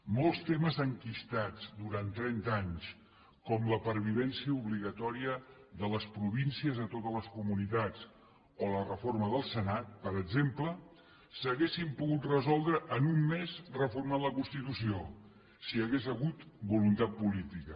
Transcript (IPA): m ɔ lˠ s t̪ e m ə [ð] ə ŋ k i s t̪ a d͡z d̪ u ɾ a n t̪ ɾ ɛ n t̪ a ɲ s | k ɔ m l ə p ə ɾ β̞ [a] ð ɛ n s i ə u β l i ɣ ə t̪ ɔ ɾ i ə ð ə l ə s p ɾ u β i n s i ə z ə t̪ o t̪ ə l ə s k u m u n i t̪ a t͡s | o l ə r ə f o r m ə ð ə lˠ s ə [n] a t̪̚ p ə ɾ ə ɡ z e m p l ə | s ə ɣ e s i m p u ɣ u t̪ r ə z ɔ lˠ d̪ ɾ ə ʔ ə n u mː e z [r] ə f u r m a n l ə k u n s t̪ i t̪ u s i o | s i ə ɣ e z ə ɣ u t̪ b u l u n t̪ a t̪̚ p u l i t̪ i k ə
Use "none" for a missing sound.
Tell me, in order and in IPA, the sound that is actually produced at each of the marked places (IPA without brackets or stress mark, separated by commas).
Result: z, i, n, r